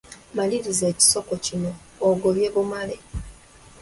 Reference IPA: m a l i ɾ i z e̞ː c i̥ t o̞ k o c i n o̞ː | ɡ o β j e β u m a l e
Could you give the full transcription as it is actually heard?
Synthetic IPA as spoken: m a l i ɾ i z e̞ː c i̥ s o̞ k o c i n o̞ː | ɡ o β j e β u m a l e

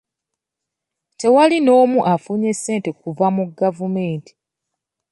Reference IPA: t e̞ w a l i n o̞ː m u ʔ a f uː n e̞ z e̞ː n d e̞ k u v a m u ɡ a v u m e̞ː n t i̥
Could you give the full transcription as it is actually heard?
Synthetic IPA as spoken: t e̞ w a l i n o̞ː m u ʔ a f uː ɲ e̞ s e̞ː n t e̞ k u v a m u ɡ a v u m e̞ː n t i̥

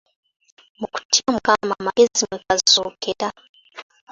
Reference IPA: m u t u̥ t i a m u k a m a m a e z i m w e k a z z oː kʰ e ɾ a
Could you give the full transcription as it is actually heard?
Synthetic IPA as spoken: m u k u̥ t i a m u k a m a m a e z i m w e k a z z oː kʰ e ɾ a

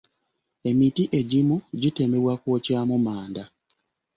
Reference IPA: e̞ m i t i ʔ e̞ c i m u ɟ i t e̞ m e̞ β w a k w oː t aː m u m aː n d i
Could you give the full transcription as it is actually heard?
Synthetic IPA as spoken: e̞ m i t i ʔ e̞ ɟ i m u ɟ i t e̞ m e̞ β w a k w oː c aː m u m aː n d a

